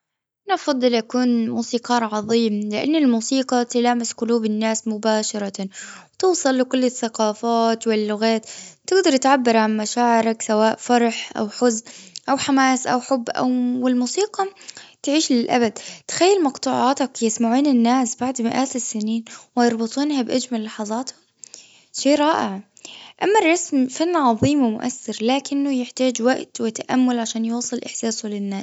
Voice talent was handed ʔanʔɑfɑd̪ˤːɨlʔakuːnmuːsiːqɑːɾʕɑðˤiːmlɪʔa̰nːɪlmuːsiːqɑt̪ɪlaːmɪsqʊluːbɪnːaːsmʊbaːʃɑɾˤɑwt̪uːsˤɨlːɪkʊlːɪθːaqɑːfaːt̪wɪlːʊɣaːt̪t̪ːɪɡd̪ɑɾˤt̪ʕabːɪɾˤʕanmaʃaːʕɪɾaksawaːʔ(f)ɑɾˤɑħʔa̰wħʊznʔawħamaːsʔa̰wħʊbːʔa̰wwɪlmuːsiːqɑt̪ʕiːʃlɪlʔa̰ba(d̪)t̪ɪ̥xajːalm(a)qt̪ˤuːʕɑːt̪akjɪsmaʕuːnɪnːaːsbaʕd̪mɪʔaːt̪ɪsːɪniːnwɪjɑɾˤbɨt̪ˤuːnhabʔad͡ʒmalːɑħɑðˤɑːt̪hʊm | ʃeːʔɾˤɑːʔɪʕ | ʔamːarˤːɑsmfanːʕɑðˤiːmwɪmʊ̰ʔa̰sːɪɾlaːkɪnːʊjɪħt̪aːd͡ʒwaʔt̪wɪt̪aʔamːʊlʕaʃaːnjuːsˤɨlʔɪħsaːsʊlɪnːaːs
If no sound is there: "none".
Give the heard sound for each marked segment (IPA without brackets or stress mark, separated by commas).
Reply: f, d̪, ɑ